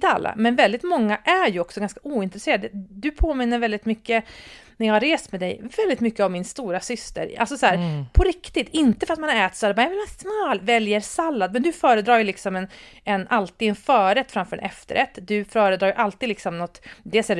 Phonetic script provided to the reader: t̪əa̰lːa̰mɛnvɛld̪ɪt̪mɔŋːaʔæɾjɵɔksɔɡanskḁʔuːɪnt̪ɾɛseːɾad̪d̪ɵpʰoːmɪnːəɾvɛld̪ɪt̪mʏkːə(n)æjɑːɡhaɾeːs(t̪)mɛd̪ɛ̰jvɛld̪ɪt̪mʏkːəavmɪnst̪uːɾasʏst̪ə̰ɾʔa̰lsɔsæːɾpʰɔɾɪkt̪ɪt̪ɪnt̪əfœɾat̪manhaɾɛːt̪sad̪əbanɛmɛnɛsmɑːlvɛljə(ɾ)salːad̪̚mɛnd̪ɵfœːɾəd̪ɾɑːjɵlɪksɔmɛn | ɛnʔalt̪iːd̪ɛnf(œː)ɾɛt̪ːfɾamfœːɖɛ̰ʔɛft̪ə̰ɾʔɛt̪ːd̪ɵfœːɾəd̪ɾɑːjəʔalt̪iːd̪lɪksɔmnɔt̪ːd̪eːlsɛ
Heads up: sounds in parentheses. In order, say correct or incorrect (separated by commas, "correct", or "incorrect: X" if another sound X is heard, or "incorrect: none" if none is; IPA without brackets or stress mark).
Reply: correct, correct, correct, correct